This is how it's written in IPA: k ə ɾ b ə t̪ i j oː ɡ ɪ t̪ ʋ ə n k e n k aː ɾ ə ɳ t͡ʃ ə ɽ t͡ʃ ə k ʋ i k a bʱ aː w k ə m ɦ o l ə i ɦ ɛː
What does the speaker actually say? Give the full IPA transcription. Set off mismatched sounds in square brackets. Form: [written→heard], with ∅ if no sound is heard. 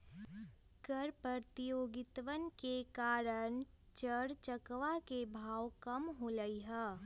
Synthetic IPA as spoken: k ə ɾ [b→p] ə t̪ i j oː ɡ ɪ t̪ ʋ ə n k e [n→∅] k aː ɾ ə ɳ t͡ʃ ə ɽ t͡ʃ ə k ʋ [i→a] k [a→e] bʱ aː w k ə m ɦ o l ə i ɦ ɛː